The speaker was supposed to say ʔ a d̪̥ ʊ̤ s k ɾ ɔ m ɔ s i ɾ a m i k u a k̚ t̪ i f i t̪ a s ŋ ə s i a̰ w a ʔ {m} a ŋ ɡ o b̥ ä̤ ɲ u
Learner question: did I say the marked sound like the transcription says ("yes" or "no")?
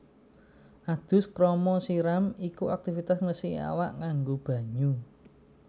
no